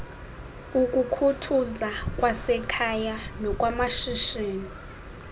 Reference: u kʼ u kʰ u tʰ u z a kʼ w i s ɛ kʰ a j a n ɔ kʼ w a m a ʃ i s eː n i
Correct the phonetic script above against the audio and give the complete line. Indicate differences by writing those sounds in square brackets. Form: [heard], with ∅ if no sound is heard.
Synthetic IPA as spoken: u kʼ u kʰ u tʰ u z a kʼ w [a] s ɛ kʰ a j a n ɔ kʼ w a m a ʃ i [ʃ] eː n i